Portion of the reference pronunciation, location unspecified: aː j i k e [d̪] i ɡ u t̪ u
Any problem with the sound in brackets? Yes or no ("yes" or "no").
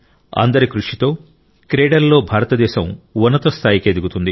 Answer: no